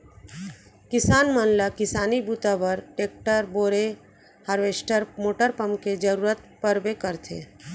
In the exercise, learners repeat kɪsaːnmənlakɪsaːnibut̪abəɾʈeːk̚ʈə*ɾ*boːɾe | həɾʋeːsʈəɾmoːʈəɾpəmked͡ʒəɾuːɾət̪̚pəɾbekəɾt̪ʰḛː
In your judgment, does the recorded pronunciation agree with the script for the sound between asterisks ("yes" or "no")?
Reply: yes